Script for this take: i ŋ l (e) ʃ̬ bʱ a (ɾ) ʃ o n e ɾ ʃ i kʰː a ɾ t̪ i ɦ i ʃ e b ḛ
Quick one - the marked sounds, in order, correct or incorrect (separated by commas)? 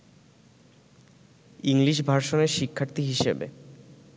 incorrect, correct